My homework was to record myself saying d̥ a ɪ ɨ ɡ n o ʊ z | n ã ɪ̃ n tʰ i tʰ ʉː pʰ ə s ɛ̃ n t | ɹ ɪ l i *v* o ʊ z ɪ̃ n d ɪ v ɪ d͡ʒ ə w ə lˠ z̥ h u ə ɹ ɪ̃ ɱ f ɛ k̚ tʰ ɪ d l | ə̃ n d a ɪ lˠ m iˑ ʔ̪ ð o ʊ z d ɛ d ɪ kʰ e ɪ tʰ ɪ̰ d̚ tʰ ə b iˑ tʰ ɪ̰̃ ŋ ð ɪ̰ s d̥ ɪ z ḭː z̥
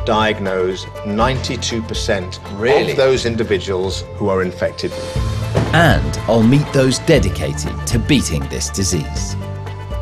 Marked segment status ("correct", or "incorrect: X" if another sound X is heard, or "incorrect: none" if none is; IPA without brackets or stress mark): incorrect: ð